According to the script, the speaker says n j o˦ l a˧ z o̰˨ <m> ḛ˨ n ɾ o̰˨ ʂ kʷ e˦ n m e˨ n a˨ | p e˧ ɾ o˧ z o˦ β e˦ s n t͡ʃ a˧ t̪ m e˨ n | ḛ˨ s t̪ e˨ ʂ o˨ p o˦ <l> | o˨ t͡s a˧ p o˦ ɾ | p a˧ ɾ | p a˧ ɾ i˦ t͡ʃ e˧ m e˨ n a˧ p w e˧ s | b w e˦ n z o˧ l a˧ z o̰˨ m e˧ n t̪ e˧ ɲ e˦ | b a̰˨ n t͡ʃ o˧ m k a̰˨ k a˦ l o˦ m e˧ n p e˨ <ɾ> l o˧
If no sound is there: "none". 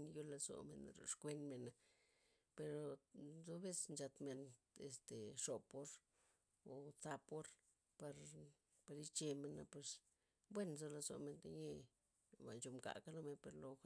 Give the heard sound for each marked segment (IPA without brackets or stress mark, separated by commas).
m, ɾ, ɾ